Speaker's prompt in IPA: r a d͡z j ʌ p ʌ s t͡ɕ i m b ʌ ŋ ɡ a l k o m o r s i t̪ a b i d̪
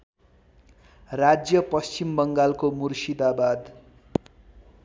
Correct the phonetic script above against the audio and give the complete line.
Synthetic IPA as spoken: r a d͡z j ʌ p ʌ s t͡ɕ i m b ʌ ŋ ɡ a l k o m u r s i d̪ a b a d̪